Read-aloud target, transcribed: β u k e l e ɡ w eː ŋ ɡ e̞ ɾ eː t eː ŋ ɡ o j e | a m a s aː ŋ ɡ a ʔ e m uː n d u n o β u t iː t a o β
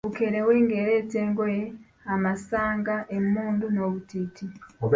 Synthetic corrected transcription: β u k e ɾ e w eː ŋ ɡ e̞ ɾ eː t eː ŋ ɡ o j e | a m a s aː ŋ ɡ a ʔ e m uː n d u n o β u t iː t i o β